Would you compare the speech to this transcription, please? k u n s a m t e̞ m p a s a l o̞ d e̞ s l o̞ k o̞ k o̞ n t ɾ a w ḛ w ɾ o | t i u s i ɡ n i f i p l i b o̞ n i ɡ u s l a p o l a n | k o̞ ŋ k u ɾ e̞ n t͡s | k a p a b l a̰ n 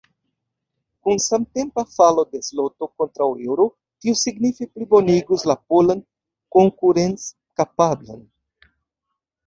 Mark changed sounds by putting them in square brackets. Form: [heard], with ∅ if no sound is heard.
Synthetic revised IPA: k u n s a m t e̞ m p a [f] a l o̞ d e̞ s l o̞ [t] o̞ k o̞ n t ɾ a w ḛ w ɾ o | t i u s i ɡ n i f i p l i b o̞ n i ɡ u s l a p o l a n | k o̞ ŋ k u ɾ e̞ n t͡s | k a p a b l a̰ n